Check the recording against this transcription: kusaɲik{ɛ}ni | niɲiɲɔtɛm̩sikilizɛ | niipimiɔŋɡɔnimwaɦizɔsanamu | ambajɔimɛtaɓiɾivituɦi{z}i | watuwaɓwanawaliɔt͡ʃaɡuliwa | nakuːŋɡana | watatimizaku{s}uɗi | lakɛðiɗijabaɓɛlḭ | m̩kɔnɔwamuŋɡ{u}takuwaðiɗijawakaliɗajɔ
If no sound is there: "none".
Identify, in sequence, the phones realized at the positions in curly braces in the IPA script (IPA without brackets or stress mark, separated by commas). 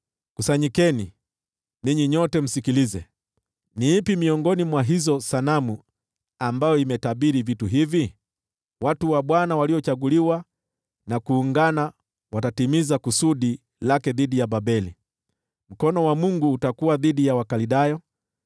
ɛ, v, s, uː